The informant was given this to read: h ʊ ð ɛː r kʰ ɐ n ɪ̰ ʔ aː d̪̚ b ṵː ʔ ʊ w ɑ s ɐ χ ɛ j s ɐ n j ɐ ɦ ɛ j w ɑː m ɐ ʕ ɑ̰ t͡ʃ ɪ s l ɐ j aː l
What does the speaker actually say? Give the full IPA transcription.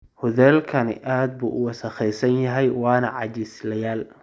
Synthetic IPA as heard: h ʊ ð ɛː l kʰ ɐ n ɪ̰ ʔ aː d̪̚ b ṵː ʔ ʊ w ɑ s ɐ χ ɛ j s ɐ n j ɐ ɦ ɛ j w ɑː n ɐ ʕ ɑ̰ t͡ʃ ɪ s l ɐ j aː l